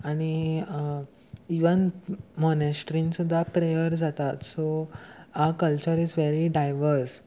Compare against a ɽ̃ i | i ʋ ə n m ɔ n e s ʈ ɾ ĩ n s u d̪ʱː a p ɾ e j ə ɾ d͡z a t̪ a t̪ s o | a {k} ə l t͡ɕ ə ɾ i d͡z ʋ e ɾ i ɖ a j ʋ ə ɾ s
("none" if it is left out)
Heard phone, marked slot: k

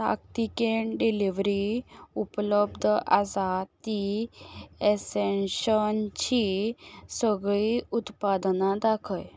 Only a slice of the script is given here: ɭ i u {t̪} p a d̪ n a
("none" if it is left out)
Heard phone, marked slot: t̪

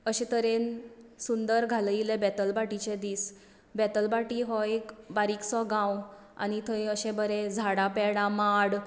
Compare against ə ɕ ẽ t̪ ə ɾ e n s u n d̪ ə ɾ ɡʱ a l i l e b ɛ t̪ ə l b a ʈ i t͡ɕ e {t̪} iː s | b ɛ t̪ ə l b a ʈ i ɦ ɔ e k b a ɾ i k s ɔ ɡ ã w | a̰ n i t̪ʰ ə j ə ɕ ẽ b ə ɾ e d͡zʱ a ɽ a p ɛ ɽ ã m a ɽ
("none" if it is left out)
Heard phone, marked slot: d̪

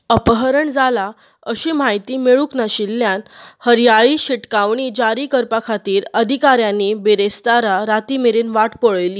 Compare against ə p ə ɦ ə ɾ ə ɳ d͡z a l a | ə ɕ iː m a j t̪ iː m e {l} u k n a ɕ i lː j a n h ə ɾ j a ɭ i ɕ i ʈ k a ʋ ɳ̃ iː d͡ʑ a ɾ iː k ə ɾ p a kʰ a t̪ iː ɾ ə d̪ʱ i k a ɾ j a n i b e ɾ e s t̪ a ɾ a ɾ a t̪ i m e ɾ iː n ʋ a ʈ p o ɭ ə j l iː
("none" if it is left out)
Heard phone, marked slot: ɭ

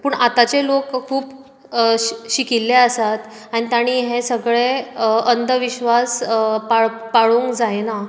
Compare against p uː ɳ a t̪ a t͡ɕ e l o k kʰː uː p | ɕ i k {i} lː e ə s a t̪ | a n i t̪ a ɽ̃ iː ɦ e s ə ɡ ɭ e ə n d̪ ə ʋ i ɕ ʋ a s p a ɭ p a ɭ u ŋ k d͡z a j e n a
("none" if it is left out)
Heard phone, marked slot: i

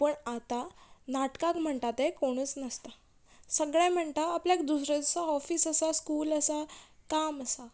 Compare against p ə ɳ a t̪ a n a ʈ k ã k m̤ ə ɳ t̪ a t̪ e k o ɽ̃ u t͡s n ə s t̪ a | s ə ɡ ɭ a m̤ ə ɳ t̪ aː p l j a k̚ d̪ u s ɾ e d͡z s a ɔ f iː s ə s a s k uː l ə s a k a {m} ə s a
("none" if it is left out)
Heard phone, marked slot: m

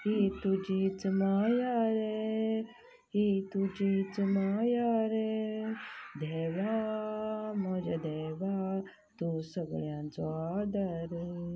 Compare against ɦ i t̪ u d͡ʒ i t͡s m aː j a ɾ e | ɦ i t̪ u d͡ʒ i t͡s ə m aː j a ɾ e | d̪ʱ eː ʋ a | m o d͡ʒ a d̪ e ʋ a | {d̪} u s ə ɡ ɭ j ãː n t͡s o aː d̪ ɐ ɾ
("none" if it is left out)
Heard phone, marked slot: t̪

